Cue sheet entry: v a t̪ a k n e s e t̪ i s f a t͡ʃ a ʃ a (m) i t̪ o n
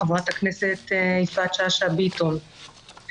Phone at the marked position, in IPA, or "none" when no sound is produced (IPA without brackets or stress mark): b